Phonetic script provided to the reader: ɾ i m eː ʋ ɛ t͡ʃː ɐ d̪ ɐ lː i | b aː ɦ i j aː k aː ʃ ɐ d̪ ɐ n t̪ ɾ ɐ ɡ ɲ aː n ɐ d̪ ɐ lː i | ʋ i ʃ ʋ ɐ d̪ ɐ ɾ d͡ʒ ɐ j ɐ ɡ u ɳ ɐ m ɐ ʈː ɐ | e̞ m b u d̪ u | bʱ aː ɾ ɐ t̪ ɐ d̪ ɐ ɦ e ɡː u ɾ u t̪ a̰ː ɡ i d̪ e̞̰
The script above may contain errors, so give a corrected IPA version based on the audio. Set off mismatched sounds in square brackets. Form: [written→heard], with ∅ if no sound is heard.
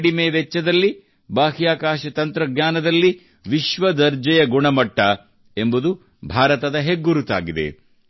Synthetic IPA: [ɾ→ɽ] i m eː ʋ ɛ t͡ʃː ɐ d̪ ɐ lː i | b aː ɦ i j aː k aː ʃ ɐ [d̪→t̪] ɐ n t̪ ɾ ɐ ɡ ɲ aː n ɐ d̪ ɐ lː i | ʋ i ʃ ʋ ɐ d̪ ɐ ɾ d͡ʒ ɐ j ɐ ɡ u ɳ ɐ m ɐ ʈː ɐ | e̞ m b u d̪ u | bʱ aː ɾ ɐ t̪ ɐ d̪ ɐ ɦ e ɡː u ɾ u t̪ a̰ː ɡ i d̪ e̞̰